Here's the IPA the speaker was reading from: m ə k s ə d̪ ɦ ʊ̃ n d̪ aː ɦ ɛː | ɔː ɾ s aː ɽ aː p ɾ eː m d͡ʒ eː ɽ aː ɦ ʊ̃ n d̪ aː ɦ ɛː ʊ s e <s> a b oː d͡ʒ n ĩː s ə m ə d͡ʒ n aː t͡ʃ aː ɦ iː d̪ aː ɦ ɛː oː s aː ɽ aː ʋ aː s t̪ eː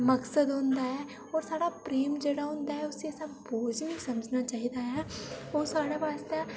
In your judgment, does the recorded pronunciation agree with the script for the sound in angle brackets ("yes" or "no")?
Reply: yes